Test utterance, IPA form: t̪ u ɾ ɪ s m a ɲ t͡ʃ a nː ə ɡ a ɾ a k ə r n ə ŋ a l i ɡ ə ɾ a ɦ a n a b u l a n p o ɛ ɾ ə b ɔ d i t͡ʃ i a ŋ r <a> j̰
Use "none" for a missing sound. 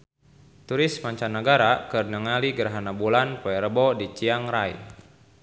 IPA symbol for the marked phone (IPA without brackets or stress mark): a